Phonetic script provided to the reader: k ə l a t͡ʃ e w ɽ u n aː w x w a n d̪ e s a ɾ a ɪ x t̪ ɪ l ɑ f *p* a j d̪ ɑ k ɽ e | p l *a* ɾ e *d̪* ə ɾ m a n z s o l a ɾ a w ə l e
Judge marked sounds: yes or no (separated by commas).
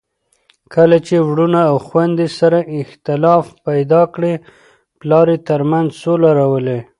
yes, no, no